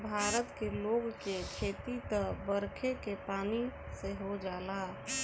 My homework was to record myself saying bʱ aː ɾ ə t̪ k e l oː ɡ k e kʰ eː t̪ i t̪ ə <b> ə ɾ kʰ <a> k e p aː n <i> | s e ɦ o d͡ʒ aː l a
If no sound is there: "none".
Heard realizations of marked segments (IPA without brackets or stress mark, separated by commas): b, e, i